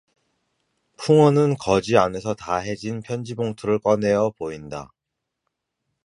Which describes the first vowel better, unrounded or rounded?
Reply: rounded